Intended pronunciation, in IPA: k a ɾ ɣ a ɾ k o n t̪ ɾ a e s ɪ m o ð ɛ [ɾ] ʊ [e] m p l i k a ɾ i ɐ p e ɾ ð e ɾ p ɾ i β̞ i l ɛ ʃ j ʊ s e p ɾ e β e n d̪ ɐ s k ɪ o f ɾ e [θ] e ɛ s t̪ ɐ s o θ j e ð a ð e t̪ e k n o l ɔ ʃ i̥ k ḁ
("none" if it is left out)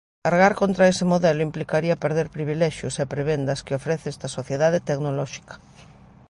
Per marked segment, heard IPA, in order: l, i, θ

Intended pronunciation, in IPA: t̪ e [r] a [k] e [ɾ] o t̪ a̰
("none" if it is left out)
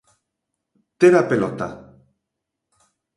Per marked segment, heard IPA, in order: ɾ, p, l

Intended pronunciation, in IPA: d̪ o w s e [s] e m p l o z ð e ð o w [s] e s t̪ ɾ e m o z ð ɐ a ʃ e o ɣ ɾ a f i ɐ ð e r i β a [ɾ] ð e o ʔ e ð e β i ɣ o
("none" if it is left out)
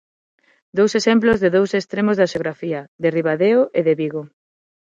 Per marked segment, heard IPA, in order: s, s, none

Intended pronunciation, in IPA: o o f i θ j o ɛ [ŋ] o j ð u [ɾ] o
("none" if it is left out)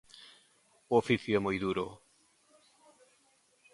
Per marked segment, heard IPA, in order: m, ɾ

